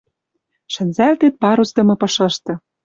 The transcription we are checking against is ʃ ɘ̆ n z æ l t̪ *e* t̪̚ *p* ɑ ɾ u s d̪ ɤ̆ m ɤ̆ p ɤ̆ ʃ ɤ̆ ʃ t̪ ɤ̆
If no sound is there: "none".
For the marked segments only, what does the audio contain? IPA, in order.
e, p

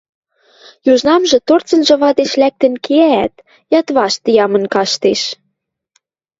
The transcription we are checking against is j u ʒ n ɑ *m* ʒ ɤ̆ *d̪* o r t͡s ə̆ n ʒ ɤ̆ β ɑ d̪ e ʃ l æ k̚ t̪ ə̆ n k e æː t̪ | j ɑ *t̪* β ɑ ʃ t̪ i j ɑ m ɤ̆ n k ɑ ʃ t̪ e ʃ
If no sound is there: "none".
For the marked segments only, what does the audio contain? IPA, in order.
m, t̪, t̪

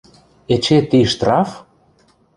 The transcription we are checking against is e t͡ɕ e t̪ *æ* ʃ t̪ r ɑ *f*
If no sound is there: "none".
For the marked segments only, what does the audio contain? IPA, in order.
i, f

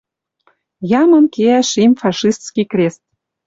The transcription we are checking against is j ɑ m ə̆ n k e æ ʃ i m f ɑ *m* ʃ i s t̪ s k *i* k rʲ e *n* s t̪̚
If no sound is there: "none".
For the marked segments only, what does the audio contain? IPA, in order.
none, i, none

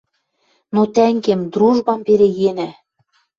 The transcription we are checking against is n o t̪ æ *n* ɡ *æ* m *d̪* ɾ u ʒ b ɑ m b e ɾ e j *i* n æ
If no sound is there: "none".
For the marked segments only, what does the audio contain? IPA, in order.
ŋ, e, d̪, e

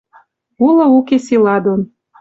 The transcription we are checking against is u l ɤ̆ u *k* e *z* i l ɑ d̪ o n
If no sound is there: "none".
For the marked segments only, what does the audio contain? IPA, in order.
k, s

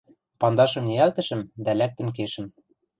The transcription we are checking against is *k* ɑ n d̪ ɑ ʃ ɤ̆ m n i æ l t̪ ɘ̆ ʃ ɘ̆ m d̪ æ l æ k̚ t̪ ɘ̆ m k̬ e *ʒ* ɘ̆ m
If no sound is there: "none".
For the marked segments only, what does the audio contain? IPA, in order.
p, ʃ

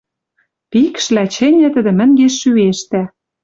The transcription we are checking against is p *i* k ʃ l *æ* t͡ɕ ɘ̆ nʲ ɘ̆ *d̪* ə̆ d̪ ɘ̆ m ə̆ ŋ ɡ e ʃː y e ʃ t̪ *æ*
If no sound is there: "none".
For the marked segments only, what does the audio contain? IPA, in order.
i, æ, t̪, æ

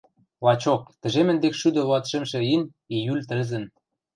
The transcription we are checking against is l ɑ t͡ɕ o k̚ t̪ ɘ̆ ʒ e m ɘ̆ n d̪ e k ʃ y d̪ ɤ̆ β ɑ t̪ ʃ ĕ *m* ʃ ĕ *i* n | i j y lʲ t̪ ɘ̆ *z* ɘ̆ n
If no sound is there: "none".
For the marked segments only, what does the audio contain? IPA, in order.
m, i, z

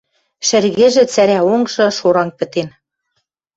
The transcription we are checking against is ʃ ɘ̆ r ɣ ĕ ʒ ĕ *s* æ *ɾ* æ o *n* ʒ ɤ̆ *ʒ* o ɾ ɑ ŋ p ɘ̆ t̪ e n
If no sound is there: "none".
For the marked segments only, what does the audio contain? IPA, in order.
t͡s, ɾ, ŋ, ʃ

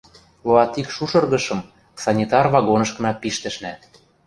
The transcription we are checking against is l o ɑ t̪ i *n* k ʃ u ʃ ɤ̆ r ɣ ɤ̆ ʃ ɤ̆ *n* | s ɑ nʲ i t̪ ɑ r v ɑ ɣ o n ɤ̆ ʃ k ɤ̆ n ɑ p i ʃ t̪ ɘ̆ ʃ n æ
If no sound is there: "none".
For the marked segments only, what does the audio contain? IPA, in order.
none, m

